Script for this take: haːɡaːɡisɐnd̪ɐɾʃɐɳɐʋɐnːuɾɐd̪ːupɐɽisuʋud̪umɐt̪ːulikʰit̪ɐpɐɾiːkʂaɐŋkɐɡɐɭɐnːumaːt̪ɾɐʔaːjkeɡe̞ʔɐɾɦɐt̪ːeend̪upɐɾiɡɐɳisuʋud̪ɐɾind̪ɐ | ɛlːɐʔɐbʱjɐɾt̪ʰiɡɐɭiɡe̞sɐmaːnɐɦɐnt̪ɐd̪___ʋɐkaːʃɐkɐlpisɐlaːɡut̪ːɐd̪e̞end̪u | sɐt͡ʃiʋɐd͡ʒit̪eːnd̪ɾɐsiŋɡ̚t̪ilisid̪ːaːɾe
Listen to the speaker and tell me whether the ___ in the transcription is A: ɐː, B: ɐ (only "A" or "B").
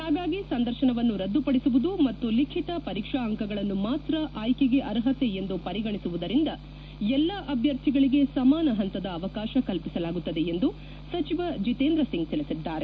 A